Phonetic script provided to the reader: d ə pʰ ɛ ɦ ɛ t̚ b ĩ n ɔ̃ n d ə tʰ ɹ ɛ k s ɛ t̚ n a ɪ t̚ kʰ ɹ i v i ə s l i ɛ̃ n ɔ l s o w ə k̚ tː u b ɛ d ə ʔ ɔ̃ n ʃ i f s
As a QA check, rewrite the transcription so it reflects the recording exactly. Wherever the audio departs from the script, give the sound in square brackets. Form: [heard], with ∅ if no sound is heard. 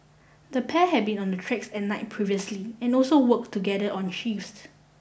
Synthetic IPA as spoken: d ə pʰ ɛ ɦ ɛ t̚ b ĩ n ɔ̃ n d ə tʰ ɹ ɛ k s ɛ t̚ n a ɪ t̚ [pʰ] ɹ i v i ə s l i ɛ̃ n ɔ l s o w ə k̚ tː u [ɡ] ɛ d ə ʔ ɔ̃ n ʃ i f s